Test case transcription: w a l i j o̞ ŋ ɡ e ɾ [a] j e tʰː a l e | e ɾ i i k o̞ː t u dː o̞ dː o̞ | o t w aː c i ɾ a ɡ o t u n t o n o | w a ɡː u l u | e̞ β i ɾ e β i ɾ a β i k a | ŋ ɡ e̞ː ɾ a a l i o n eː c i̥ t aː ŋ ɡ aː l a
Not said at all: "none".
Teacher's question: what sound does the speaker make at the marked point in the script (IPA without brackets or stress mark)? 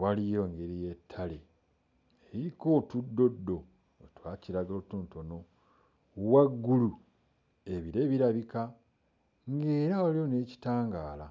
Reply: i